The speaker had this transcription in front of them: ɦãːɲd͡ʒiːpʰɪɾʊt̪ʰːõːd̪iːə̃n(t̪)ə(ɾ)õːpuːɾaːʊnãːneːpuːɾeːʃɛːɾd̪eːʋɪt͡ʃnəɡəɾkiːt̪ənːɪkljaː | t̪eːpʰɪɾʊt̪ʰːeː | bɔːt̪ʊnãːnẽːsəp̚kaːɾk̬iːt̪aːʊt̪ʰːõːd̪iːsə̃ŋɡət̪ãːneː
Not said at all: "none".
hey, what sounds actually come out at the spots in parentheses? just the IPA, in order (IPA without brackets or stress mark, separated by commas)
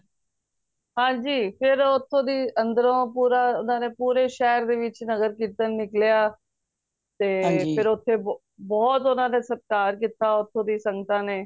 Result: d̪, ɾ